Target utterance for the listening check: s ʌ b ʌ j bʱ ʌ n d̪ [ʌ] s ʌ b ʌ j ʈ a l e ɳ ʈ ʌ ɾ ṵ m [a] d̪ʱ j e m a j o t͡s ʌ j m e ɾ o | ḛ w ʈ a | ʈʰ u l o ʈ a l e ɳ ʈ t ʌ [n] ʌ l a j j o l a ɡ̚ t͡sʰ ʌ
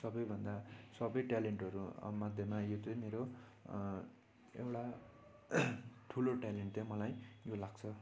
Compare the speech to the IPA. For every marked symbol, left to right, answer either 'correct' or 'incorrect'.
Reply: incorrect: a, correct, incorrect: m

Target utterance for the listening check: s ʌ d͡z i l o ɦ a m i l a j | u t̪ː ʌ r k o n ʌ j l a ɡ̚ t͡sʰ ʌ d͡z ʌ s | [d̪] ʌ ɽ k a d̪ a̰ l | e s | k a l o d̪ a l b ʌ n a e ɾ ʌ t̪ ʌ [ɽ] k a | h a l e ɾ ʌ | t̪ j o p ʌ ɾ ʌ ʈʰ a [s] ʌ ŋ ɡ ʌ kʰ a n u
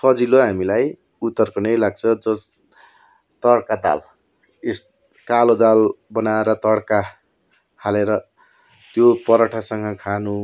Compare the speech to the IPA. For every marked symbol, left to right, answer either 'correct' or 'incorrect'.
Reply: incorrect: t̪, correct, correct

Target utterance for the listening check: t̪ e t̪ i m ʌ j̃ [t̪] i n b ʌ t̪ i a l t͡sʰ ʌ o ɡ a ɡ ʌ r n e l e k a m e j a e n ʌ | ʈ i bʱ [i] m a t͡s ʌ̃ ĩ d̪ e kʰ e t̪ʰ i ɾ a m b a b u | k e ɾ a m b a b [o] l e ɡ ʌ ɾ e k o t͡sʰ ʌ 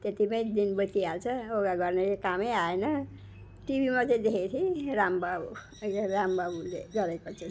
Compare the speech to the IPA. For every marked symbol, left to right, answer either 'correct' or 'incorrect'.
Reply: incorrect: d̪, correct, incorrect: u

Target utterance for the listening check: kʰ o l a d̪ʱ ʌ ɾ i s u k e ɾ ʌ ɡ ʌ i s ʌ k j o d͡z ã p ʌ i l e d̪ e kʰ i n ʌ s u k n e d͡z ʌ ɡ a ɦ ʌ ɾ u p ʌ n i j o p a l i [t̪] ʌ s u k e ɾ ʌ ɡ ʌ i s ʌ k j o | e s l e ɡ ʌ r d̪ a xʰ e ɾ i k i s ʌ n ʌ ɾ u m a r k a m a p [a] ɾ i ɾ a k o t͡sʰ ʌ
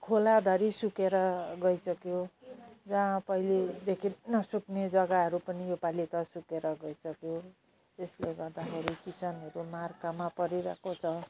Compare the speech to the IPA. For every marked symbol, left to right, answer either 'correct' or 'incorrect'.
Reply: correct, incorrect: ʌ

